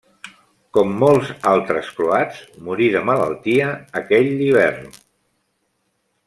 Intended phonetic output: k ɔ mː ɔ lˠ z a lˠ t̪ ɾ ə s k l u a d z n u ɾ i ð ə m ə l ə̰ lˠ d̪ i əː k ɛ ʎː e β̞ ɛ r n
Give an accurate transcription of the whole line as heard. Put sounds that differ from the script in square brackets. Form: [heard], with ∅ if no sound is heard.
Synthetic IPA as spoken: k ɔ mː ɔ lˠ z a lˠ t̪ ɾ ə s k l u a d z [m] u ɾ i ð ə m ə l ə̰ lˠ [t̪] i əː k ɛ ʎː [i] β̞ ɛ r n